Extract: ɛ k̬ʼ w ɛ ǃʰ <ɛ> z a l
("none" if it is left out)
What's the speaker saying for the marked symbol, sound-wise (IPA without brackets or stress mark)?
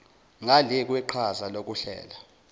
a